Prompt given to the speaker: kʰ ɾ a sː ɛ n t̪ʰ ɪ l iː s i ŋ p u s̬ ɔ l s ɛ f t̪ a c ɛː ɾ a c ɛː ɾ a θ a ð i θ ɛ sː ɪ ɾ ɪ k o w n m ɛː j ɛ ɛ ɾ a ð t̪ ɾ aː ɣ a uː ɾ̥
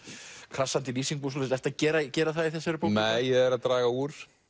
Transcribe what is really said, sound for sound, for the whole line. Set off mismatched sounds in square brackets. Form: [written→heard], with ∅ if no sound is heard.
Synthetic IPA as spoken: kʰ ɾ a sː [ɛ→a] n [t̪ʰ→t̪] ɪ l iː s i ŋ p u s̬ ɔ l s ɛ f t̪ a c ɛː ɾ a c ɛː ɾ a θ a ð i θ ɛ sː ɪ ɾ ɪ [k→p] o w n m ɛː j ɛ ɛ ɾ a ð t̪ ɾ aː ɣ a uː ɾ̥